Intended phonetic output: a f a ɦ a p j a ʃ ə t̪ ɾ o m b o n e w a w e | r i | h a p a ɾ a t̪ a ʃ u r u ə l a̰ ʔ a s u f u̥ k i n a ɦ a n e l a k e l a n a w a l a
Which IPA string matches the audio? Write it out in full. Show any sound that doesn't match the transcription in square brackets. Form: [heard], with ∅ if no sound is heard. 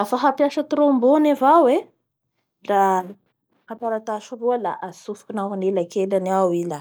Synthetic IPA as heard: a f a ɦ a p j a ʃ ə t̪ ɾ o m b o n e [v] a w e | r [a] | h a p a ɾ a t̪ a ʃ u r u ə l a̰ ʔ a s u f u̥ k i n a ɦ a n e l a k e l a n a w [i] l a

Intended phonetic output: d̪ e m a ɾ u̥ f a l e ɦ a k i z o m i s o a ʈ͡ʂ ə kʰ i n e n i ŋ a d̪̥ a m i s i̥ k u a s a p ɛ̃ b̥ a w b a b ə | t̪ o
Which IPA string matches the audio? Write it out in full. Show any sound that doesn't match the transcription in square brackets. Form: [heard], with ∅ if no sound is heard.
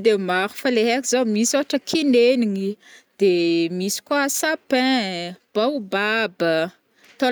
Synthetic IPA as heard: d̪ e m a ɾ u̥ f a l e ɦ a k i z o m i s o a ʈ͡ʂ ə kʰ i n e n i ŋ [i] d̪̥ [e] m i s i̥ k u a s a p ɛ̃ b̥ a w b a b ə | t̪ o

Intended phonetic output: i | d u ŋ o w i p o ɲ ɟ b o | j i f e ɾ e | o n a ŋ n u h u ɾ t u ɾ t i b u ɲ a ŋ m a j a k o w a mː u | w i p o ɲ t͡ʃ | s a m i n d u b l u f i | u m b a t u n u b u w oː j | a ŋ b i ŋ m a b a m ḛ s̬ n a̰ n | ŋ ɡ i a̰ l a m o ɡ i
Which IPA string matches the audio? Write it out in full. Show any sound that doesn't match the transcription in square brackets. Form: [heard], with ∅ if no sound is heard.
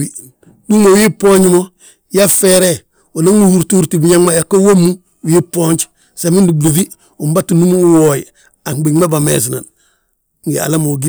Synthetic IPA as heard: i | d u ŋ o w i p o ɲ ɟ [m] o | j [a] f e ɾ e | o n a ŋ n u h u ɾ t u ɾ t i b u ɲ a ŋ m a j a k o w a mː u | w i p o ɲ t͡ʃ | s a m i n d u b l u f i | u m b a t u n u [m] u w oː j | a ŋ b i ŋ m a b a m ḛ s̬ n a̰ n | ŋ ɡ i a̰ l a m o ɡ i

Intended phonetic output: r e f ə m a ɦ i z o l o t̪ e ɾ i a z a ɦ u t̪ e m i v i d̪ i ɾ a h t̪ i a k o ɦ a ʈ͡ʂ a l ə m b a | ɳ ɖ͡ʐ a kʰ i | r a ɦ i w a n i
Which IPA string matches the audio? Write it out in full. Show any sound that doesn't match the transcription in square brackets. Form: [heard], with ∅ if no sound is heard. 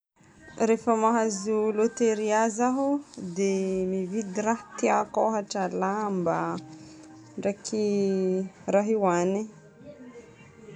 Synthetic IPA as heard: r e f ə m a ɦ [a] z [u] l o t̪ e ɾ i a z a ɦ u [d̪] e m i v i d̪ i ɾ a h t̪ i a k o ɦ a ʈ͡ʂ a l [a] m b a | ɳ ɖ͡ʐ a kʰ i | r a ɦ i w a n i

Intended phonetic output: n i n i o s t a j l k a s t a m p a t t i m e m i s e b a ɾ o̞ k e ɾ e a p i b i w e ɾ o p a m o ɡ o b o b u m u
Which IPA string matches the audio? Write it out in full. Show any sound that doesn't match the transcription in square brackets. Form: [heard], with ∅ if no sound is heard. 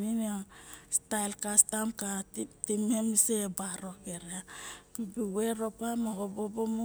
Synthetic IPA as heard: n i n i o s t a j l k a s t a m [k] a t t i m e m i s e b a ɾ o̞ k e ɾ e a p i b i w e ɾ o p a m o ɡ o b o b [o] m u

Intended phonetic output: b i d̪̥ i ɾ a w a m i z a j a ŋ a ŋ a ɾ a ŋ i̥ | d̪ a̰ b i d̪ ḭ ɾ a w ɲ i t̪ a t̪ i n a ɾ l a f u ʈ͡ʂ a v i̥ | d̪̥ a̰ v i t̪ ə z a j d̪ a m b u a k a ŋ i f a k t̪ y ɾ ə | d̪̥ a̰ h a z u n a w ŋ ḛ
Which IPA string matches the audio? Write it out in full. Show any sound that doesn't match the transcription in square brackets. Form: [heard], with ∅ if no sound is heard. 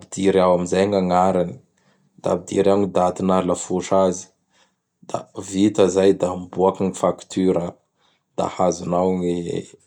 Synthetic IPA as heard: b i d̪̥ i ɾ a w a m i z a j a ŋ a ŋ a ɾ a [n] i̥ | d̪ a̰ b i d̪ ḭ ɾ a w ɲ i [d̪] a t̪ i n a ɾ l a f u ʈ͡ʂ a [z] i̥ | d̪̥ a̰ v i t̪ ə z a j d̪ a m b u a k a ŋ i f a k t̪ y ɾ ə | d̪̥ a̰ h a z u n a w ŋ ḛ

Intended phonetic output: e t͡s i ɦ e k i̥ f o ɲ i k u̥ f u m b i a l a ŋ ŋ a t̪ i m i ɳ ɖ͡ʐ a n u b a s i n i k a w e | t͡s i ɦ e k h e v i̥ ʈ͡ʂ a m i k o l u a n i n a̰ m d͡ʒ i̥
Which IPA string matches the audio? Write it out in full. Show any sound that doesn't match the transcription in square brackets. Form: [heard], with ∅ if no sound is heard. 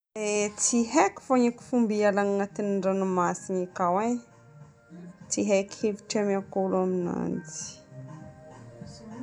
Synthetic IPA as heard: e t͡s i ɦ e k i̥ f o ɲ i k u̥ f u m b i a l a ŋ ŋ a t̪ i [n] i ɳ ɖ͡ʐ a n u [m] a s i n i k a w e | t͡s i ɦ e k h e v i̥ ʈ͡ʂ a m [a] k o l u a [m] i n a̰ [n] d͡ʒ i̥

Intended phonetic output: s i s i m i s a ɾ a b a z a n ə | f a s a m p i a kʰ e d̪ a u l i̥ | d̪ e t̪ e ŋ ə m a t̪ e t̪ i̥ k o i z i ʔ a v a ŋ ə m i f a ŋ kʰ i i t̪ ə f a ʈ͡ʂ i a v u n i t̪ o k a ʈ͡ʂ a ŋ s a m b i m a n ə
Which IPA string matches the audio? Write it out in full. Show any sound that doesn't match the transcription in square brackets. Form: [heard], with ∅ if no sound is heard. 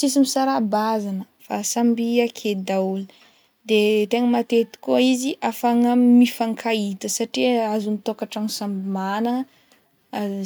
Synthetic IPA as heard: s i s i m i s a ɾ a b a z a n ə | f a s a m [b] i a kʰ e d̪ a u l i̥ | d̪ e t̪ e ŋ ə m a t̪ e t̪ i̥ k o i z i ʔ a [f] a ŋ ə m i f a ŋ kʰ [a] i t̪ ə [s] a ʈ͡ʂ i a [z] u n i t̪ o k a ʈ͡ʂ a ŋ s a m b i m a n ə

